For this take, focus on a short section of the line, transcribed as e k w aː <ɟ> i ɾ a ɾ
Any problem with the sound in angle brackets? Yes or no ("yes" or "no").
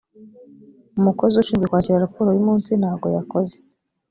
yes